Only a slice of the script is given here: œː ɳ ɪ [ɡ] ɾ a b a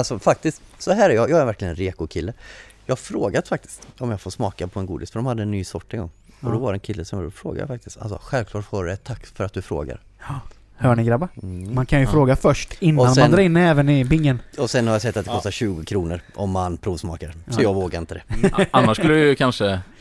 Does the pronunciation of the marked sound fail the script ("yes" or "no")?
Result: no